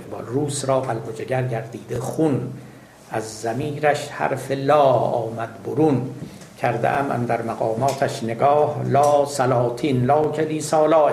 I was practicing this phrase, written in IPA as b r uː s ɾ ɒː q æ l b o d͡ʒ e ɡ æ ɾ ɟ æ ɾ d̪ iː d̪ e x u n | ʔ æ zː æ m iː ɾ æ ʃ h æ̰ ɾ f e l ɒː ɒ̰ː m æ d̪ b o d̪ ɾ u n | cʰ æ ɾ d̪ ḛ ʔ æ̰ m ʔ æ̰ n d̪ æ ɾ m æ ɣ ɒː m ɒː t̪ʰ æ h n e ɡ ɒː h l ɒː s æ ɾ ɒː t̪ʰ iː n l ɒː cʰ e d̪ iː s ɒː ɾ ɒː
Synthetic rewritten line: b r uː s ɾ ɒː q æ l b o d͡ʒ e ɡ æ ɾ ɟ æ ɾ d̪ iː d̪ e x u n | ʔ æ zː æ m iː ɾ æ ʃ h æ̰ ɾ f e l ɒː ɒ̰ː m æ d̪ b o ɾ u n | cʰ æ ɾ d̪ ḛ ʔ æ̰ m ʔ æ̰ n d̪ æ ɾ m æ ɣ ɒː m ɒː t̪ʰ æ ʃ n e ɡ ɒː h l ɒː s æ l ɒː t̪ʰ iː n l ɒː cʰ e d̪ iː s ɒː l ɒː